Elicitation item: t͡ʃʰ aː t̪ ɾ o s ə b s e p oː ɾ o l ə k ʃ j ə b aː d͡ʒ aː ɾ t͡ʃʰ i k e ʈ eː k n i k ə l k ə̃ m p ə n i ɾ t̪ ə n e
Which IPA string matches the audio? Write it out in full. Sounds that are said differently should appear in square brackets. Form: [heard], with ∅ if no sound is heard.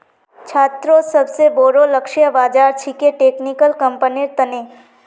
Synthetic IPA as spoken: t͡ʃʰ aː t̪ ɾ o s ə b s e [b] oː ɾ o l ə k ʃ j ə b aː d͡ʒ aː ɾ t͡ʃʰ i k e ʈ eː k n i k ə l k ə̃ m p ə n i ɾ t̪ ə n e